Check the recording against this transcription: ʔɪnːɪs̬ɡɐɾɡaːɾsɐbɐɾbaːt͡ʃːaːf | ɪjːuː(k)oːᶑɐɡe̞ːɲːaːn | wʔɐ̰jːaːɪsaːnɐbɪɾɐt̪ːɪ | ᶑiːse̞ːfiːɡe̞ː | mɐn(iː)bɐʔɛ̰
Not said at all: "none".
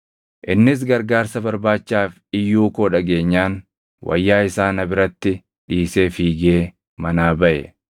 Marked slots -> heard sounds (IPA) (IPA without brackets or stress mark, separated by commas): k, aː